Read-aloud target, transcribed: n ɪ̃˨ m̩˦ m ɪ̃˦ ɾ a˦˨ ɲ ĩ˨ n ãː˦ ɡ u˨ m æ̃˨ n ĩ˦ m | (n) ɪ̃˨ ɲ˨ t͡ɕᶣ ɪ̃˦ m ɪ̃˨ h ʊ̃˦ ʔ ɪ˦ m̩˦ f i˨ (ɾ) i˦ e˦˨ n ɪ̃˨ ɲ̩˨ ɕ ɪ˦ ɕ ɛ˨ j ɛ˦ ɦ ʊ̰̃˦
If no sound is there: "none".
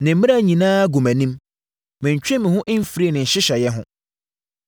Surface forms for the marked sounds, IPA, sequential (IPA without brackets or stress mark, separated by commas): m, ɾ